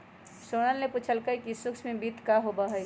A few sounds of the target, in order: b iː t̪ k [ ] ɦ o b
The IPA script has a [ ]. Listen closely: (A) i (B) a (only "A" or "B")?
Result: B